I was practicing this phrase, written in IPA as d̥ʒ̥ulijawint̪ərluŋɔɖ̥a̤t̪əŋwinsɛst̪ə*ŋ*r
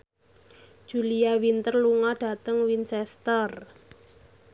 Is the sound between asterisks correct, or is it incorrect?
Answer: incorrect